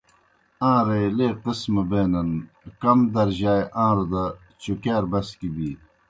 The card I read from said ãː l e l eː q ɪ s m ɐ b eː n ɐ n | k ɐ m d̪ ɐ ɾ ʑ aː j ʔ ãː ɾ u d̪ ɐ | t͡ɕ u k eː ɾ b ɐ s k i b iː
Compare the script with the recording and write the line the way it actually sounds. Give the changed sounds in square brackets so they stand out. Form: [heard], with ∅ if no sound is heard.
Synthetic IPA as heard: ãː [ɾ] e l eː q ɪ s m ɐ b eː n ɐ n | k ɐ m d̪ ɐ ɾ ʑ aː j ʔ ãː ɾ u d̪ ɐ | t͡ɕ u k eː ɾ b ɐ s k i b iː